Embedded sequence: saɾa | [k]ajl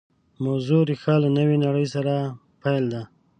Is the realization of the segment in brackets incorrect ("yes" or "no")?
yes